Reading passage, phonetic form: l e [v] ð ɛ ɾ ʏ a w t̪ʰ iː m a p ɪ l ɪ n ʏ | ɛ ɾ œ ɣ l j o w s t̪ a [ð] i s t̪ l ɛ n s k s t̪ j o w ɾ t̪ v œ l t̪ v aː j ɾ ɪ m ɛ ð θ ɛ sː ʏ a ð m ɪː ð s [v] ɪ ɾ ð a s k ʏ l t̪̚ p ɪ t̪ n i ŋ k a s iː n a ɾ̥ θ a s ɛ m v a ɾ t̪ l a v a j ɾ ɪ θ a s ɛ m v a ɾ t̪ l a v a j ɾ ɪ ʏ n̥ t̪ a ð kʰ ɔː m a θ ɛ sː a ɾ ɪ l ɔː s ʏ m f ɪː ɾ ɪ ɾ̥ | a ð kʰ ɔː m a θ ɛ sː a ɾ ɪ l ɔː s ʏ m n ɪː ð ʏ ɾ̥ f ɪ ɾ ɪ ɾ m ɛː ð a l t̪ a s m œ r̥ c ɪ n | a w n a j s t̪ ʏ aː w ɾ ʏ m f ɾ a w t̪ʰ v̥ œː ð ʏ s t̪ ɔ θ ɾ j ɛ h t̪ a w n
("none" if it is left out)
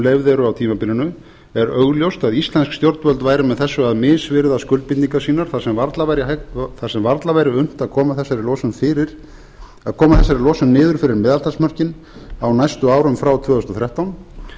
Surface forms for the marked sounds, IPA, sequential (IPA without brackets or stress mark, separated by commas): v, ð, v